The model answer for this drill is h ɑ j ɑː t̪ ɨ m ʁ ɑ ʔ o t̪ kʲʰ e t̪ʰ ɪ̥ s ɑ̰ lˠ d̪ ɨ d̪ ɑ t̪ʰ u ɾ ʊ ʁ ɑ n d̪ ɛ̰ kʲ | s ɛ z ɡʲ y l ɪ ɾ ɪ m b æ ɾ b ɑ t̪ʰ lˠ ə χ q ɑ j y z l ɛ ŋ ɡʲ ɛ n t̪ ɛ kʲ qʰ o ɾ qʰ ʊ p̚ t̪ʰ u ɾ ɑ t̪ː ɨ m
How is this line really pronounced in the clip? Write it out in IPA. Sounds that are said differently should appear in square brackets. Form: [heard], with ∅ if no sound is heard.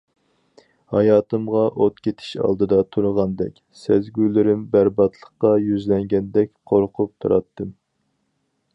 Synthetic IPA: h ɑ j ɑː t̪ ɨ m ʁ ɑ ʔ o t̪ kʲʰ e t̪ʰ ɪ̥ [ʃ] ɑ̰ lˠ d̪ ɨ d̪ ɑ t̪ʰ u ɾ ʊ ʁ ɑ n d̪ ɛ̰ kʲ | s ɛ z ɡʲ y l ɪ ɾ ɪ m b æ ɾ b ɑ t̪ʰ lˠ ə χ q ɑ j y z l ɛ ŋ ɡʲ ɛ n [d̪] ɛ kʲ qʰ o ɾ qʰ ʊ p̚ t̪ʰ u ɾ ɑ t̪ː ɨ m